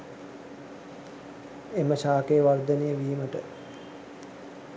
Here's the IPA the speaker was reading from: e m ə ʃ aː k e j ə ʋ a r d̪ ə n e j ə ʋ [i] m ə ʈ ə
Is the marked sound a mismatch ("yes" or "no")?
yes